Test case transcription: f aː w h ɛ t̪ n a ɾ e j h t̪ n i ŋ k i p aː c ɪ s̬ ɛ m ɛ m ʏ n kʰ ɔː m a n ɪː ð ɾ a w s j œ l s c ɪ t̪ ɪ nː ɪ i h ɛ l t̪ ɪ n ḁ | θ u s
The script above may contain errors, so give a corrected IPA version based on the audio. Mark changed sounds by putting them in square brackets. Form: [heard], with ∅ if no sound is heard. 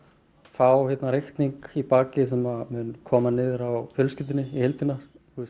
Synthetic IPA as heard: f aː w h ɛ t̪ n a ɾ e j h t̪ n i ŋ k i p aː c ɪ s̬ ɛ m [a] m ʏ n kʰ ɔː m a n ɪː ð ɾ a w [f] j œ l s c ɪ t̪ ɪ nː ɪ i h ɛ l t̪ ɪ n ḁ | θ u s